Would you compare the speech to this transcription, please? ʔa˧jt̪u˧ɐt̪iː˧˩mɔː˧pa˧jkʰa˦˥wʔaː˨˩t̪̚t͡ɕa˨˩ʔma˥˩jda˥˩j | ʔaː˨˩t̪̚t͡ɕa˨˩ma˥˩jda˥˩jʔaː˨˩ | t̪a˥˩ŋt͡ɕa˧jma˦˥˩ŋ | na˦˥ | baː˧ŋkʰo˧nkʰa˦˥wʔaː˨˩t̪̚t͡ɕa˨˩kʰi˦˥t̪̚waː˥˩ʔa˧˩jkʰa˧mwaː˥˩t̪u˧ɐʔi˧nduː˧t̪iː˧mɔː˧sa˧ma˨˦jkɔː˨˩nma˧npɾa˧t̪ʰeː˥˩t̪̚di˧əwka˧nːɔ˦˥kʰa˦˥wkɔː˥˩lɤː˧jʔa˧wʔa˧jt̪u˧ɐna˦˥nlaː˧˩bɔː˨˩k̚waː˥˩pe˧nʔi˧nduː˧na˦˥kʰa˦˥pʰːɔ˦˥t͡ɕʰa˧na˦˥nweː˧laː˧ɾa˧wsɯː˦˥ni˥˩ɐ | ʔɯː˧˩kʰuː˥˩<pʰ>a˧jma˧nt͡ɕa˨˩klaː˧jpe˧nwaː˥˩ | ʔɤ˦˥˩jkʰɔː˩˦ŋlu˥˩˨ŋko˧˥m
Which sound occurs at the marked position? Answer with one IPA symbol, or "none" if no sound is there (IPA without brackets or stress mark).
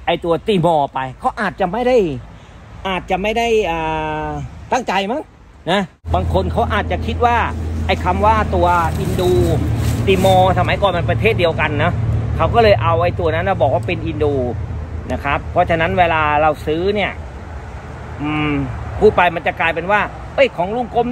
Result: p